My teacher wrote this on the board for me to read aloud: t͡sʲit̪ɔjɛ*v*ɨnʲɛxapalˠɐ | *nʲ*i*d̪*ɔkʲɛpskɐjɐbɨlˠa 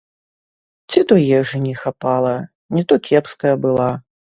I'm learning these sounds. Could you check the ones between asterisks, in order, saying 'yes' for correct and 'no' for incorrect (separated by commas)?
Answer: no, yes, no